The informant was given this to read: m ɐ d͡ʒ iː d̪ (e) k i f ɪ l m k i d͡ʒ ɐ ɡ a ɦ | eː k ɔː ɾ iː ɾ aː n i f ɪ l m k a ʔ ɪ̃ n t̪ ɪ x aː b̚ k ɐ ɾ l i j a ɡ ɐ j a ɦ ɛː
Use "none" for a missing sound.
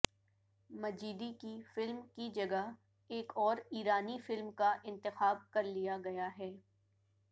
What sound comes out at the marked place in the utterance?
i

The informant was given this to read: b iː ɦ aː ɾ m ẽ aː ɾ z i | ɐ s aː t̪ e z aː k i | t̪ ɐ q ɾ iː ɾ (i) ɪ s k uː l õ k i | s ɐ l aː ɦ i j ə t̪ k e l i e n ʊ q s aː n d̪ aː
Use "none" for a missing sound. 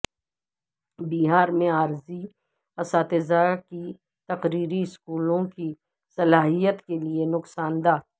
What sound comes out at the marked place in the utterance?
i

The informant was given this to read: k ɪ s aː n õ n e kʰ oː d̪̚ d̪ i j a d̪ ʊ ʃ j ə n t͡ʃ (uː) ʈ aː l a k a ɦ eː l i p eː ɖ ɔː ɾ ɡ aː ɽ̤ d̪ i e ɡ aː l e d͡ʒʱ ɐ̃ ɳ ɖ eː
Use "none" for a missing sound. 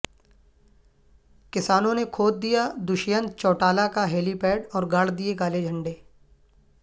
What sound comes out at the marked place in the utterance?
ɔː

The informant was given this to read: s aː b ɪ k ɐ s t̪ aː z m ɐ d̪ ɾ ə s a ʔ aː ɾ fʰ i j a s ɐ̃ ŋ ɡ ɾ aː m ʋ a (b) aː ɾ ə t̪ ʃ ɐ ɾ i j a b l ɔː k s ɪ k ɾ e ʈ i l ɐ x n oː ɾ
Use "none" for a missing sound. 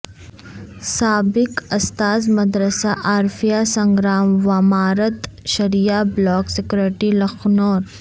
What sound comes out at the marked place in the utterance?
m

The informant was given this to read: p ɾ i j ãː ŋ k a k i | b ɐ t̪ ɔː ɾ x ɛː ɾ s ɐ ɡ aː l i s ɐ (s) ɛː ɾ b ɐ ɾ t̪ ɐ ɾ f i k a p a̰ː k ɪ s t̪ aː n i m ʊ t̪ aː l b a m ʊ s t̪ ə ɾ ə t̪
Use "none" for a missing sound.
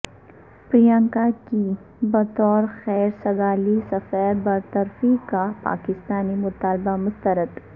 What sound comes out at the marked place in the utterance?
f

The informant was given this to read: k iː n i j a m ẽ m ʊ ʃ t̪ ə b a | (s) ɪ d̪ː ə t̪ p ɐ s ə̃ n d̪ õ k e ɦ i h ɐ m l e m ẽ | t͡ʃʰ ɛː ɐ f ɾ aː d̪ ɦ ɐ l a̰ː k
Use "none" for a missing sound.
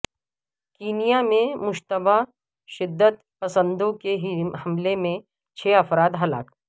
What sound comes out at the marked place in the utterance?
ʃ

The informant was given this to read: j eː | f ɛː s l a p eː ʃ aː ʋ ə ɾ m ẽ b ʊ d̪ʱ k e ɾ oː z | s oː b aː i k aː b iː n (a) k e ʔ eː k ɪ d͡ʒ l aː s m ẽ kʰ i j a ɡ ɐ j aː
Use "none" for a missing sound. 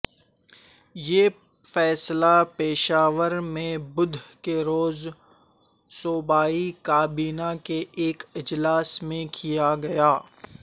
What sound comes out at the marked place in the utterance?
a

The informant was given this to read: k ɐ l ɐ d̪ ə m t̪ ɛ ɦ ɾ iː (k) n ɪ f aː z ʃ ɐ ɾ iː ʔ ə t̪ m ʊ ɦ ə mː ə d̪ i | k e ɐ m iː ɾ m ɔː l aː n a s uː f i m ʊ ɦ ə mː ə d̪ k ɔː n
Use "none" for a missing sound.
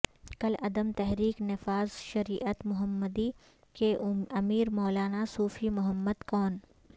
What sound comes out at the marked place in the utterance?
k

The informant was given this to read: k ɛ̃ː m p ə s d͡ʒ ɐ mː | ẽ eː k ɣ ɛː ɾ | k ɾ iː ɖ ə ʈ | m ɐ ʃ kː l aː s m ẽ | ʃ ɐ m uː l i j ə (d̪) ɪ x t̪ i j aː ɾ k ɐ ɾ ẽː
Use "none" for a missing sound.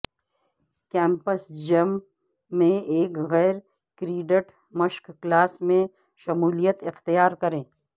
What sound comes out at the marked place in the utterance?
t̪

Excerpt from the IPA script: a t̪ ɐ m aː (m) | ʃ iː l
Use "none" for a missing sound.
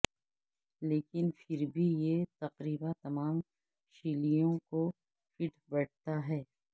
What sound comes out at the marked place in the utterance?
m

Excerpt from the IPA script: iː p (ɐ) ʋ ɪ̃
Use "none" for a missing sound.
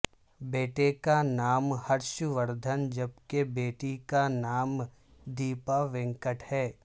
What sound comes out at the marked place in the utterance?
a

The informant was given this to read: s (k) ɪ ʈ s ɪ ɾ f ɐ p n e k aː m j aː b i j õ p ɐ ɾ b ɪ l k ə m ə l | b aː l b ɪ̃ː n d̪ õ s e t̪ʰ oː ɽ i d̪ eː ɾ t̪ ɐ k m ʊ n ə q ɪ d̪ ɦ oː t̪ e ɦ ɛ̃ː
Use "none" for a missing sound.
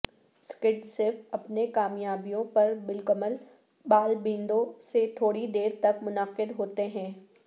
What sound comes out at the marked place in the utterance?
k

